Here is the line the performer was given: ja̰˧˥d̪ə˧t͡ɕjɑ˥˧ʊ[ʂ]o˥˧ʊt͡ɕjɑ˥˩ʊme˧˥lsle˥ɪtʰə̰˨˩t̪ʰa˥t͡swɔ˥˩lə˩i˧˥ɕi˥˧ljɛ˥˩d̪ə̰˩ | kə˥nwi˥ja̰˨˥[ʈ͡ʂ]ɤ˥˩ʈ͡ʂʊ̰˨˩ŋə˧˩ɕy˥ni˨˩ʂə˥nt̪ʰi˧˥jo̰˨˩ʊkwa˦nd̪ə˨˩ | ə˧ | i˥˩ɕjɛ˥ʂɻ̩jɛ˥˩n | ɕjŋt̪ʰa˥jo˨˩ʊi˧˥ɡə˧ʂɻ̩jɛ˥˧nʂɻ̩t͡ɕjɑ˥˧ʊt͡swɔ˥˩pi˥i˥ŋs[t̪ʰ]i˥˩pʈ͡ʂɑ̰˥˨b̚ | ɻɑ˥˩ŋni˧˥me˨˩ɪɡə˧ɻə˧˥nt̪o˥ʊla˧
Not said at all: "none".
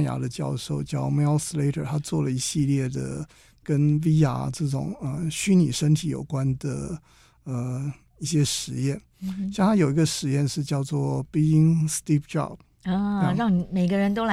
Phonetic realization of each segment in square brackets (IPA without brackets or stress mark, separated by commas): ʂ, ʈ͡ʂ, t̪